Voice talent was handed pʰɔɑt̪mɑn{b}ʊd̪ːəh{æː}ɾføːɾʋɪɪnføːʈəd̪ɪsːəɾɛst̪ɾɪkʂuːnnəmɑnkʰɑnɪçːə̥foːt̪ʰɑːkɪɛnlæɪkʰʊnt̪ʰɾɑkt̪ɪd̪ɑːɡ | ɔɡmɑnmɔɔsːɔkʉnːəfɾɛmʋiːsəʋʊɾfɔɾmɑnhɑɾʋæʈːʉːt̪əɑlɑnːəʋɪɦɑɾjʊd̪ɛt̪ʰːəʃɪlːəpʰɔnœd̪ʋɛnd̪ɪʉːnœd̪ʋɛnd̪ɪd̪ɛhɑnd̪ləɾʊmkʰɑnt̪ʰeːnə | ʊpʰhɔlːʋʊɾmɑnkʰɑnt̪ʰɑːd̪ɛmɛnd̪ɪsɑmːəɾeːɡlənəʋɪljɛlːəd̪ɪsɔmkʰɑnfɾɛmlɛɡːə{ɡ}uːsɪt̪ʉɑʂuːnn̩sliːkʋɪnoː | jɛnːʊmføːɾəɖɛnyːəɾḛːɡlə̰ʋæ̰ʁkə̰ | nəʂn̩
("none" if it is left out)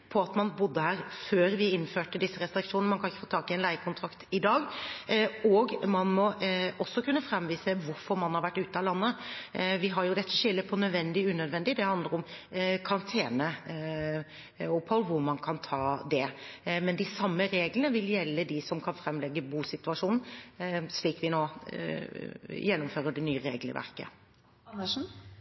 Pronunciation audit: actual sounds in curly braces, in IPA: b, æː, b

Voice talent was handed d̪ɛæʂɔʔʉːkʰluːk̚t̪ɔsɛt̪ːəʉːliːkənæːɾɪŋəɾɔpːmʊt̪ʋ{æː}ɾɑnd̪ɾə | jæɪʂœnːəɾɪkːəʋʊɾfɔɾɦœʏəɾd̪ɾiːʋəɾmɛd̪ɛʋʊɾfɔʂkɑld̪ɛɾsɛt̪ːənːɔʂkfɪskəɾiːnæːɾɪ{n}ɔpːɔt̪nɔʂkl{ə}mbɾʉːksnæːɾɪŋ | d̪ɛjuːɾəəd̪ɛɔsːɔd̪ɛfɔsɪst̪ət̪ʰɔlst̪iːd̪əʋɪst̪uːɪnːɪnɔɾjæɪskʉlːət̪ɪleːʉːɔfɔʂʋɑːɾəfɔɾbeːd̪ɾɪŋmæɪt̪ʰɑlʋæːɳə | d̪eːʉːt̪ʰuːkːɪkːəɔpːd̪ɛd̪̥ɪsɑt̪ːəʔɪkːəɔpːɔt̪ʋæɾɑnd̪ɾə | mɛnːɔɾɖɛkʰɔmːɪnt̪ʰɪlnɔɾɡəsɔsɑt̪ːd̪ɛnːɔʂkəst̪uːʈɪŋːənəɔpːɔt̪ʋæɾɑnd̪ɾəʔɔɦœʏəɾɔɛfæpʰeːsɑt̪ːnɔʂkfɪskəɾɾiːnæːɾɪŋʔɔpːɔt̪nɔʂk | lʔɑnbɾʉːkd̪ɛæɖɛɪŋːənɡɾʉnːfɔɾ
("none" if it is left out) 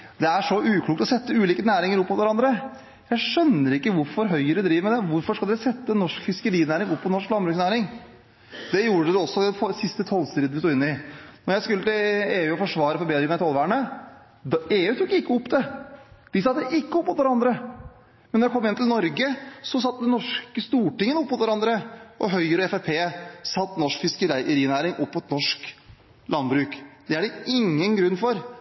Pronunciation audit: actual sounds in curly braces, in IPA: æ, ŋ, ɑ

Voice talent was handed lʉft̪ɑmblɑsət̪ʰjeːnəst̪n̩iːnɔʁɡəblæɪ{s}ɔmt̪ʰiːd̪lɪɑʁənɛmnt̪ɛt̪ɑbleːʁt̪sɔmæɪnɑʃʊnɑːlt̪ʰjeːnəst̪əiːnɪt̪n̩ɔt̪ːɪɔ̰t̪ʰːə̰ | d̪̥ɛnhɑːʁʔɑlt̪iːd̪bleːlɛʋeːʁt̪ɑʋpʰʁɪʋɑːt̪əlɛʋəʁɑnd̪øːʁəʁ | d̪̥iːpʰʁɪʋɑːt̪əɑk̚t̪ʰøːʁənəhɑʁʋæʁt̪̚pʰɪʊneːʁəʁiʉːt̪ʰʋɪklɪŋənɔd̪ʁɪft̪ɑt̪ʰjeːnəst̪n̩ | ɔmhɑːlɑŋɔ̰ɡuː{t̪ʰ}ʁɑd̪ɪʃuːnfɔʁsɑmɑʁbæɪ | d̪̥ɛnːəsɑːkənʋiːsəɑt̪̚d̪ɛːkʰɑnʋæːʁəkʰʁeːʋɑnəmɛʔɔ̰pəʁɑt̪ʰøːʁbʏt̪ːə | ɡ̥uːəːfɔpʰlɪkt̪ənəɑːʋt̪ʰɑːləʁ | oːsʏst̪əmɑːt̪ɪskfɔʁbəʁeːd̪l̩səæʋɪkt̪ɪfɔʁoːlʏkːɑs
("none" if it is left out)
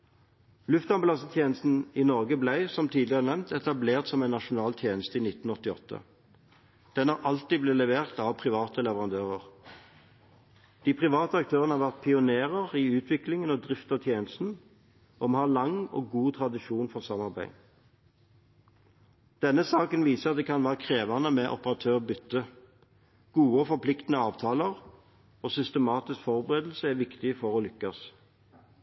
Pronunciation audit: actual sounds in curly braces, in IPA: s, t̪ʰ

